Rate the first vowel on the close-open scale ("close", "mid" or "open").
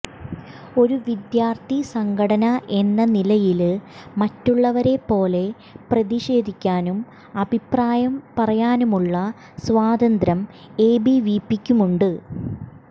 mid